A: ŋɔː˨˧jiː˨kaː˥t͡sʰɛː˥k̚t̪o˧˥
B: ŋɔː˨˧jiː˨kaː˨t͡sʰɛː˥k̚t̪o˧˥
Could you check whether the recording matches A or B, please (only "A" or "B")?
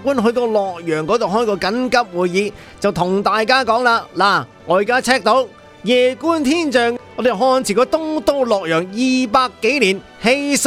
A